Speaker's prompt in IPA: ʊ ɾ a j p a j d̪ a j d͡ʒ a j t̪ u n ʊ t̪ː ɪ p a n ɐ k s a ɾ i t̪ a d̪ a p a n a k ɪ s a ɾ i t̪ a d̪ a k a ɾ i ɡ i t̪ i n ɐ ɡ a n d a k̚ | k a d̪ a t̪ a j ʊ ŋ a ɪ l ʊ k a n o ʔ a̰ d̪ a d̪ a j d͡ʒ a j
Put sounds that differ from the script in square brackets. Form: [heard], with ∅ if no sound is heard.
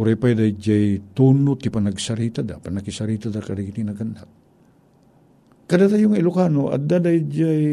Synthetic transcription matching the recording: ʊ ɾ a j p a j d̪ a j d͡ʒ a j t̪ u n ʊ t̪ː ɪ p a n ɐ [ɡ] s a ɾ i t̪ a d̪ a p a n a k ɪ s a ɾ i t̪ a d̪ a k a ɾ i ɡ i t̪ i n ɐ ɡ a n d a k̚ | k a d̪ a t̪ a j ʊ ŋ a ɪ l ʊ k a n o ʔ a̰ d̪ a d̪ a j d͡ʒ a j